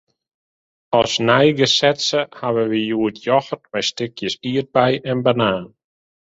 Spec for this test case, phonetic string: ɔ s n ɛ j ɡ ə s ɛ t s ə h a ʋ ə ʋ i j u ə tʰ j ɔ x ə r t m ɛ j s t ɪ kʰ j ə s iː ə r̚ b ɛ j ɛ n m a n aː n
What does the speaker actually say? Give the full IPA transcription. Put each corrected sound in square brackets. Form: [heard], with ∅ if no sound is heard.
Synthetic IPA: ɔ s n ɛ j ɡ ə s ɛ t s ə h a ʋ ə ʋ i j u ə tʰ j ɔ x ə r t m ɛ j s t ɪ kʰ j ə s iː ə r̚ b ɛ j ɛ n [b] a n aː n